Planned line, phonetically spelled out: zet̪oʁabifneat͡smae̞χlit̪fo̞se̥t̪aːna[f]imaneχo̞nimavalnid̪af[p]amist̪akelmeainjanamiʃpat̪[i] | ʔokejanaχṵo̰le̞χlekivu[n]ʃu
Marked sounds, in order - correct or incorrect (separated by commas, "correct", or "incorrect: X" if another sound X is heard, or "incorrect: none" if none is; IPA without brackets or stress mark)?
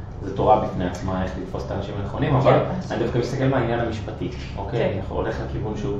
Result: incorrect: ʃ, incorrect: k, correct, correct